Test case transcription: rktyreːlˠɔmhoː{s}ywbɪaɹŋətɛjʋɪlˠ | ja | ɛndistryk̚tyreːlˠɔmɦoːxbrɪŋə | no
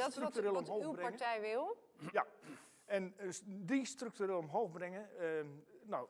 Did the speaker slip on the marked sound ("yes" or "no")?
yes